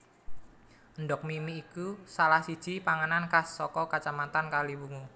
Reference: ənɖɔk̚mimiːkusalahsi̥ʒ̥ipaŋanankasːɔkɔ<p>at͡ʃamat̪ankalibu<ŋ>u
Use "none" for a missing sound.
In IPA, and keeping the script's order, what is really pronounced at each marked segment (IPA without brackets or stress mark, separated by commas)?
k, ŋ